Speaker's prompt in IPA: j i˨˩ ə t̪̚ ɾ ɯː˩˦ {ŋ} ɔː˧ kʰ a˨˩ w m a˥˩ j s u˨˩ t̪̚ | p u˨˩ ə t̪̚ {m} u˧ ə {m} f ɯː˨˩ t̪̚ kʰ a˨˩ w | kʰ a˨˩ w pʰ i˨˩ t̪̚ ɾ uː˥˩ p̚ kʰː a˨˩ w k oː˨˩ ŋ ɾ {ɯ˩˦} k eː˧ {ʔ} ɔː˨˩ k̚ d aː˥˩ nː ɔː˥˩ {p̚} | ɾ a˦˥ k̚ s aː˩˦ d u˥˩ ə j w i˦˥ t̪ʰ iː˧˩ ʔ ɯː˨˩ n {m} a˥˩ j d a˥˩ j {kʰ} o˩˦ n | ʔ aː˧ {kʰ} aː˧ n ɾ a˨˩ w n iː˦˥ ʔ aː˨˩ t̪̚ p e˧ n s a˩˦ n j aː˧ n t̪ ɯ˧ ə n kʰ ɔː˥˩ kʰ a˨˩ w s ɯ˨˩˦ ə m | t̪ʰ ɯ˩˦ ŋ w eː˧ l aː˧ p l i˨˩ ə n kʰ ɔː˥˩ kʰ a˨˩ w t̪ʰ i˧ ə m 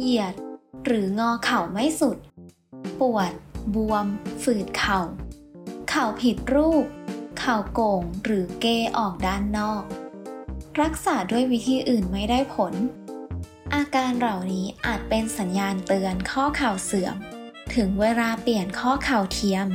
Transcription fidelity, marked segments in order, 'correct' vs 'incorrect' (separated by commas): correct, incorrect, correct, incorrect, correct, incorrect, correct, incorrect, incorrect